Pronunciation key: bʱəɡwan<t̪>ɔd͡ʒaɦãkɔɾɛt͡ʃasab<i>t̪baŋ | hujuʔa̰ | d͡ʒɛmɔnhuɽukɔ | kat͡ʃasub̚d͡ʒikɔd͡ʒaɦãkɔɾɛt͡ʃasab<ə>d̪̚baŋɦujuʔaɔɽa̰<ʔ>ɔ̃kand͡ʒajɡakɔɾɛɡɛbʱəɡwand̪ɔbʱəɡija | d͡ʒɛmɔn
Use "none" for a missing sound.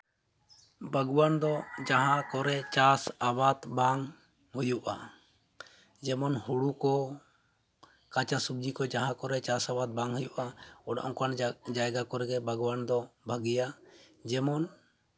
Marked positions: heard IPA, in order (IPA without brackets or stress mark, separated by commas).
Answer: d̪, a, a, ʔ